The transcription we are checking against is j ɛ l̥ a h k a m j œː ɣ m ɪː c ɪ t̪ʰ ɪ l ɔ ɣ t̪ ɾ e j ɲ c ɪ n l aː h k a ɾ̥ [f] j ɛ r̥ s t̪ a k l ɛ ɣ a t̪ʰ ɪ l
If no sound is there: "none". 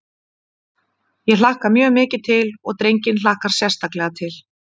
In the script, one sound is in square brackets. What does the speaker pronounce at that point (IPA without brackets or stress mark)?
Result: s